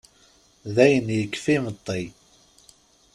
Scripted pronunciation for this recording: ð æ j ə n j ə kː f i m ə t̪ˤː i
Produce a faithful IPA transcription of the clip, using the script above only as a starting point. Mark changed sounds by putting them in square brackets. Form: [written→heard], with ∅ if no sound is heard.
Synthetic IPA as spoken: ð æ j ə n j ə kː f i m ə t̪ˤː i